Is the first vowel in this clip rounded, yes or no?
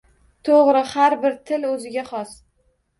yes